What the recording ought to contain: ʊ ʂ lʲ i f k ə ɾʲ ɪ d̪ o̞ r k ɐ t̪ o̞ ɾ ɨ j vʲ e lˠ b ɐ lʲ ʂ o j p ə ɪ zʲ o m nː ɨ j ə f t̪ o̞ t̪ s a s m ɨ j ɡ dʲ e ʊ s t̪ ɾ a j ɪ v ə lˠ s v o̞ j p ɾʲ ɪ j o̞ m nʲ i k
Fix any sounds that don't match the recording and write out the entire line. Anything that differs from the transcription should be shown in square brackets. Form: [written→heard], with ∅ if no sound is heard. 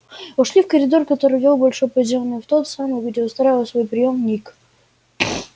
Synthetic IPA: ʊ ʂ lʲ i f k ə ɾʲ ɪ d̪ o̞ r k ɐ t̪ o̞ ɾ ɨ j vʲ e lˠ b ɐ lʲ ʂ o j p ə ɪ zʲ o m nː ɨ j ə f t̪ o̞ t̪ s a [s→∅] m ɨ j ɡ dʲ e ʊ s t̪ ɾ a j ɪ v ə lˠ s v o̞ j p ɾʲ ɪ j o̞ m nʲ i k